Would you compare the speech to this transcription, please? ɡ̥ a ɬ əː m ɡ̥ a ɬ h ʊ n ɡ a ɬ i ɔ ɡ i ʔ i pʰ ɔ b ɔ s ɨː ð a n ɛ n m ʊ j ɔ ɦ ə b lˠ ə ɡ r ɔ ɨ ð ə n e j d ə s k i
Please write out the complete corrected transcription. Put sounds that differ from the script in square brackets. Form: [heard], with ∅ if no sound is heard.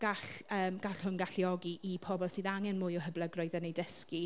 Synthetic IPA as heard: ɡ̥ a ɬ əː m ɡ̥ a ɬ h ʊ n ɡ a ɬ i ɔ ɡ i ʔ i pʰ ɔ b ɔ s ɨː ð a [ŋ] ɛ n m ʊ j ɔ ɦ ə b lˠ ə ɡ r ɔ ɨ ð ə n e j d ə s k i